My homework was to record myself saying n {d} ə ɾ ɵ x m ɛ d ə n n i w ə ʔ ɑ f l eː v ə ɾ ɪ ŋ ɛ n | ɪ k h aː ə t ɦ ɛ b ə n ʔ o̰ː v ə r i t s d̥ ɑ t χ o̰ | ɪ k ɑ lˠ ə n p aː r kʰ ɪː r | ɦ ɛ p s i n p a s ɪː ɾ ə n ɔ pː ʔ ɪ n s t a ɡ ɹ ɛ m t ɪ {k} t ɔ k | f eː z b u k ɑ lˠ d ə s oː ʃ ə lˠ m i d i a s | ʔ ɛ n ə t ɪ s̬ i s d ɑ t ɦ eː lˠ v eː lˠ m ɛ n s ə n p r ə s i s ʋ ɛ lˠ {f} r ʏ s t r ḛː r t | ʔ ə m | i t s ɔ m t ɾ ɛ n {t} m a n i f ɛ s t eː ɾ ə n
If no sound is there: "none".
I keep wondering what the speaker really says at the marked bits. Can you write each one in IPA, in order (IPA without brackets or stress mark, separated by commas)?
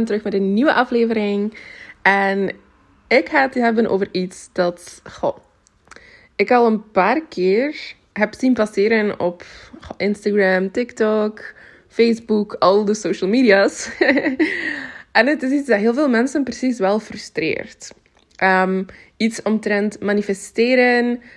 t, k, f, t